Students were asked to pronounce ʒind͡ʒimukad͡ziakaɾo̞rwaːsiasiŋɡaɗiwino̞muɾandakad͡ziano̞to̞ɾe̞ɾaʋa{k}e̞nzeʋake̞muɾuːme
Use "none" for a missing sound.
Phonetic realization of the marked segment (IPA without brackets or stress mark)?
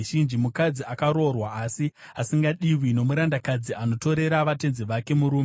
t